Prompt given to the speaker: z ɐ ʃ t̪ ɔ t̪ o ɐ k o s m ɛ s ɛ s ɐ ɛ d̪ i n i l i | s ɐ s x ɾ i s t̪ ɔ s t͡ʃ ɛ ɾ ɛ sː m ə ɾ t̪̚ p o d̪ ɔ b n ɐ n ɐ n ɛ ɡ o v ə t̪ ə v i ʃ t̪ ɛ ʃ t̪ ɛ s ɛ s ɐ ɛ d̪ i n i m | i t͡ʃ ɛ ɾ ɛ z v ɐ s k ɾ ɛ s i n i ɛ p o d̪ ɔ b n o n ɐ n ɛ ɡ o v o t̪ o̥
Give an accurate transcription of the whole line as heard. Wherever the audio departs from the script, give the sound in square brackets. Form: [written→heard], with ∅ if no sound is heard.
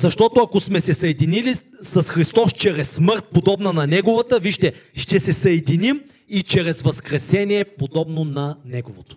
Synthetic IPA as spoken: z ɐ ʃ t̪ ɔ t̪ o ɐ k o s m ɛ s ɛ s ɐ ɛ d̪ i n i l i | s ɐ s x ɾ i s t̪ ɔ s t͡ʃ ɛ ɾ ɛ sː m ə ɾ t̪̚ p o d̪ ɔ b n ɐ n ɐ n ɛ ɡ o v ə t̪ ə v i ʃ t̪ ɛ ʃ t̪ ɛ s ɛ s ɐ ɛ d̪ i n i m | i t͡ʃ ɛ ɾ ɛ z v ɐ s k ɾ ɛ s [i→ɛ] n i ɛ p o d̪ ɔ b n o n ɐ n ɛ ɡ o v o t̪ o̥